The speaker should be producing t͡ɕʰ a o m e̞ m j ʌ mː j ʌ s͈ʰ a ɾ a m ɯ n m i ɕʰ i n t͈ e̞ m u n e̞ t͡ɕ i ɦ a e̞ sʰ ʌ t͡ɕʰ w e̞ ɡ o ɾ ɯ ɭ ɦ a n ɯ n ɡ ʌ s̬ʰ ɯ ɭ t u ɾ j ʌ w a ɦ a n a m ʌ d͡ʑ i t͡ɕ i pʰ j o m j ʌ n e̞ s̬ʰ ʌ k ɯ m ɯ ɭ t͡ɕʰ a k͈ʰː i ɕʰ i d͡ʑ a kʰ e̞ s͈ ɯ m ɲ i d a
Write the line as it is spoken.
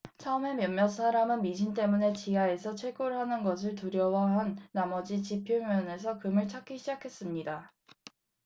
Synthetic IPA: t͡ɕʰ a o m e̞ m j ʌ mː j ʌ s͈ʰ a ɾ a m ɯ n m i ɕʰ i n t͈ e̞ m u n e̞ t͡ɕ i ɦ a e̞ sʰ ʌ t͡ɕʰ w e̞ ɡ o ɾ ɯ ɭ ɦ a n ɯ n ɡ ʌ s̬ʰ ɯ ɭ t u ɾ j ʌ w a ɦ a nː a m ʌ d͡ʑ i t͡ɕ i pʰ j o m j ʌ n e̞ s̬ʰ ʌ k ɯ m ɯ ɭ t͡ɕʰ a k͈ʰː i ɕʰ i d͡ʑ a kʰ e̞ s͈ ɯ m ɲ i d a